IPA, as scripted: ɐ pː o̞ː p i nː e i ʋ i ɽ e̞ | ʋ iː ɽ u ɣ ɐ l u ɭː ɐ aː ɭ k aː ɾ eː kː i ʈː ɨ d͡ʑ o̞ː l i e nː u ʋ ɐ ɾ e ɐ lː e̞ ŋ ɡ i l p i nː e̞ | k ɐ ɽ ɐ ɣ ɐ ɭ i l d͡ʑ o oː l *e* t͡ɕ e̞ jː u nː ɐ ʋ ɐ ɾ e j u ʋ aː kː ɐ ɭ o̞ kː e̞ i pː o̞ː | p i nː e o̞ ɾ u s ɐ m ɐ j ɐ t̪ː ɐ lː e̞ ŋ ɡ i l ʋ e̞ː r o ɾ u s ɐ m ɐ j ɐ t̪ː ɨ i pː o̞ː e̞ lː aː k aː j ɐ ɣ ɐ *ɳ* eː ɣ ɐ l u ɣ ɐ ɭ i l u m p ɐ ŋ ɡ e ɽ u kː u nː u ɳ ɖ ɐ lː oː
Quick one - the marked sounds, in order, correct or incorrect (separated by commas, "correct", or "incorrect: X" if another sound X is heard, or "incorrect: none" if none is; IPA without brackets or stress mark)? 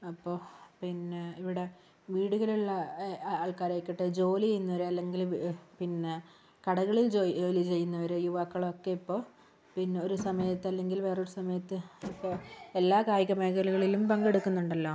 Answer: incorrect: i, incorrect: m